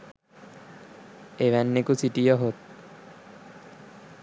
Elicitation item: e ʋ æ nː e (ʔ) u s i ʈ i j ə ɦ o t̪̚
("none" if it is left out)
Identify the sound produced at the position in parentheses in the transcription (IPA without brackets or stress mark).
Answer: k